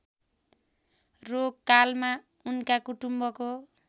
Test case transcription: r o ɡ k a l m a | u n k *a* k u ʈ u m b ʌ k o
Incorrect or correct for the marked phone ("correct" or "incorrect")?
correct